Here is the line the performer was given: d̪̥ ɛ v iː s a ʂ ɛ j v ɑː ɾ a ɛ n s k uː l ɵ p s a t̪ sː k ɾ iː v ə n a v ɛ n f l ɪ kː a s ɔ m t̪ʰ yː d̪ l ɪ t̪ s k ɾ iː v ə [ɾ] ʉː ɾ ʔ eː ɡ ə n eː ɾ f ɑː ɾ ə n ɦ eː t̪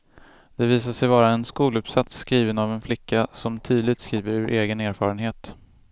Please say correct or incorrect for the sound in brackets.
correct